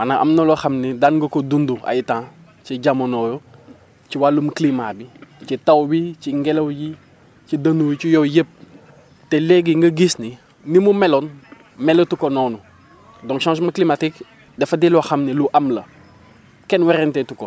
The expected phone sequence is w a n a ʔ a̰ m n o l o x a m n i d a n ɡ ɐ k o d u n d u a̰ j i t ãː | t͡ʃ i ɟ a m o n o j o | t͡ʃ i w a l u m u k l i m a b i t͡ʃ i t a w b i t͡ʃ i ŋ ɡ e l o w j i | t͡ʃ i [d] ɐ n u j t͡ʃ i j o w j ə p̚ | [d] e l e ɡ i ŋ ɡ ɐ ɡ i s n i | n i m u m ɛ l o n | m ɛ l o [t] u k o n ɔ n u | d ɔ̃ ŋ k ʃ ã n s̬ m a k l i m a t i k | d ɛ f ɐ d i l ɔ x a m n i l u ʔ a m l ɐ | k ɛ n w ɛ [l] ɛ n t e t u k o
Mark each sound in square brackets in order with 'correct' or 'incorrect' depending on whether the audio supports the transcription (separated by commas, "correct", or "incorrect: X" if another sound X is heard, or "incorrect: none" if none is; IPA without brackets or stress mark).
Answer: correct, incorrect: t, correct, incorrect: ɾ